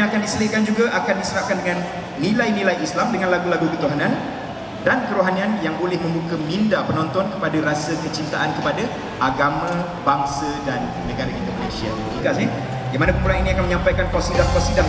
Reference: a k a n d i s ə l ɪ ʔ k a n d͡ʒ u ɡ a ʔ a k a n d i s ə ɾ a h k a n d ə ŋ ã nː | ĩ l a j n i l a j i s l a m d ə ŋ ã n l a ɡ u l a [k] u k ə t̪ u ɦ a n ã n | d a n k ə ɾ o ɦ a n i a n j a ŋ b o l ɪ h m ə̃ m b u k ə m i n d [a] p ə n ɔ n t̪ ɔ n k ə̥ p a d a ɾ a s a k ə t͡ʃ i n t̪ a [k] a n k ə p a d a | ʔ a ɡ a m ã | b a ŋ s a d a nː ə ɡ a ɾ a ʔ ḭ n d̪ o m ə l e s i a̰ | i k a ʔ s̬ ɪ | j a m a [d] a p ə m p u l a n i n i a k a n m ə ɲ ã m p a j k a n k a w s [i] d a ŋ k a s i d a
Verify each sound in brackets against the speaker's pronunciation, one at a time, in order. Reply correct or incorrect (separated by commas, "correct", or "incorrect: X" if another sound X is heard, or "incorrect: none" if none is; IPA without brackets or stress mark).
incorrect: ɡ, correct, incorrect: ʔ, incorrect: n, correct